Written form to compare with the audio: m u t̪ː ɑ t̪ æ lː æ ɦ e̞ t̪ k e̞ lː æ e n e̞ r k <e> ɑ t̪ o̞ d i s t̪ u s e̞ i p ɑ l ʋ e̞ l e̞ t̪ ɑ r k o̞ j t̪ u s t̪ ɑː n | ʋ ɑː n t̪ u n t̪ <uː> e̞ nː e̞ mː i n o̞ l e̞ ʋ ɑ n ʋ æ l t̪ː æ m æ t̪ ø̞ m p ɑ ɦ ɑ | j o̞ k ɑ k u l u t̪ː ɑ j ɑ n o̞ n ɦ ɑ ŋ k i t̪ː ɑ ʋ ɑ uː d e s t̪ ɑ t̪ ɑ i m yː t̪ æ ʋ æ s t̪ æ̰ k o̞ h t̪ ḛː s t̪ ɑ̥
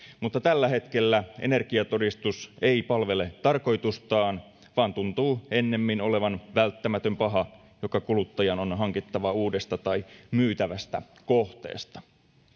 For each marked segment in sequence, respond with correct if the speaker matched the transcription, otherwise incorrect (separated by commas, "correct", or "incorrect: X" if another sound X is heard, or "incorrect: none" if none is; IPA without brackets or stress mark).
incorrect: i, correct